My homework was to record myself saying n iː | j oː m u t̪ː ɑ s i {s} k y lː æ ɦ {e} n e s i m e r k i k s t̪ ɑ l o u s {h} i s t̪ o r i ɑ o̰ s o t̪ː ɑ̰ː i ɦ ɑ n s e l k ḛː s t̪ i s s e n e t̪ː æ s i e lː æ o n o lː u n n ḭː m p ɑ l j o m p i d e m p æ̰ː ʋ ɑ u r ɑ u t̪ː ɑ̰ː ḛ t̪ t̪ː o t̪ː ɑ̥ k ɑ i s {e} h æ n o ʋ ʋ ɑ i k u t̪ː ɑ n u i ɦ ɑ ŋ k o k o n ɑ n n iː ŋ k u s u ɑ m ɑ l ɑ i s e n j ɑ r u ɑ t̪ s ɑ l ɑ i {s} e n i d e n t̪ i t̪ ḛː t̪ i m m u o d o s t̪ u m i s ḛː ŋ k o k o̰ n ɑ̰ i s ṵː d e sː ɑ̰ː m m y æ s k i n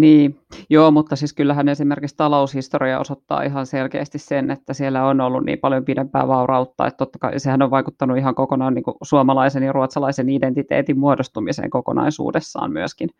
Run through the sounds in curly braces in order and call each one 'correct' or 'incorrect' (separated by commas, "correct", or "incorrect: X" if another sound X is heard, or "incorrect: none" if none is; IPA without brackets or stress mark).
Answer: correct, incorrect: æ, correct, correct, correct